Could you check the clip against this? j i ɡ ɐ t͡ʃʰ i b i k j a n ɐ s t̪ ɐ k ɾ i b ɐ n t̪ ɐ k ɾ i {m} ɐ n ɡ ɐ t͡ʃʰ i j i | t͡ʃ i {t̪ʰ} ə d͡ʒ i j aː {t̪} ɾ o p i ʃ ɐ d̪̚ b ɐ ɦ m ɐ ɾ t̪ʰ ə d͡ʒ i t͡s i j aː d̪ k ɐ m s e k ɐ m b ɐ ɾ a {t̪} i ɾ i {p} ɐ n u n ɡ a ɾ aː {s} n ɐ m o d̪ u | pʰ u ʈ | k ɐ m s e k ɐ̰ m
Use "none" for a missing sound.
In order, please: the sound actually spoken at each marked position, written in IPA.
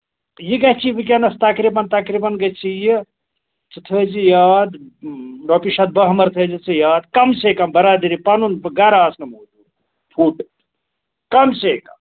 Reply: b, t̪ʰ, d̪, d̪, p, s

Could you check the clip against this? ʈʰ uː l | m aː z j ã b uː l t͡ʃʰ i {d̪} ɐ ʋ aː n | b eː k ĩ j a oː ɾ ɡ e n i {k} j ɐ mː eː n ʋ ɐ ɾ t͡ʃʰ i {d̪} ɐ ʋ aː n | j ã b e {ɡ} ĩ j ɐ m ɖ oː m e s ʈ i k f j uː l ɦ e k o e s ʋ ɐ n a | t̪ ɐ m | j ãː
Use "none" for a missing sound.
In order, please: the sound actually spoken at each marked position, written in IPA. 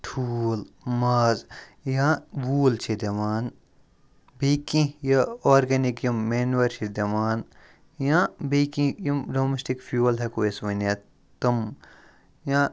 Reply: d̪, k, d̪, k

